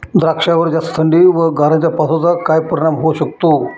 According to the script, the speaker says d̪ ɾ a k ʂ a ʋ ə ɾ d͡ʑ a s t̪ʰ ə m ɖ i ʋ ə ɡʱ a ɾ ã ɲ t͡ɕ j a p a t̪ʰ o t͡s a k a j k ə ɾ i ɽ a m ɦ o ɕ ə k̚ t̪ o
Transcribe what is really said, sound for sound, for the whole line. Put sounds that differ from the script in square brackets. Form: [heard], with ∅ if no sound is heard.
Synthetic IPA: d̪ ɾ a k ʂ a ʋ ə ɾ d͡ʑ a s t̪ʰ ə [ɳ] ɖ i ʋ ə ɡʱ a ɾ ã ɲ t͡ɕ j a p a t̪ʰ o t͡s a k a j [p] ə ɾ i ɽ a m ɦ o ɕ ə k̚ t̪ o